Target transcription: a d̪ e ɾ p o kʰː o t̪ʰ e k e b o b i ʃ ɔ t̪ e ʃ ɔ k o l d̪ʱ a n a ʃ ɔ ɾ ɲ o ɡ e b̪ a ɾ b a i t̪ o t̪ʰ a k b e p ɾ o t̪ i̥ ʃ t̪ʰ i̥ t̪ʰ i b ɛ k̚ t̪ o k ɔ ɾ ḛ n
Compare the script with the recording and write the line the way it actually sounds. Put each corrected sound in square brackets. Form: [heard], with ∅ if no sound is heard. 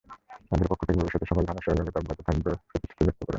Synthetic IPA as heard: a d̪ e ɾ p o kʰː o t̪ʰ e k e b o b i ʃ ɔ t̪ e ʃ ɔ k o l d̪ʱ a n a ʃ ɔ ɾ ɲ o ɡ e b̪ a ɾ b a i t̪ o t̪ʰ a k b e p ɾ o t̪ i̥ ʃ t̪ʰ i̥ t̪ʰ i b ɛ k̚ t̪ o k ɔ ɾ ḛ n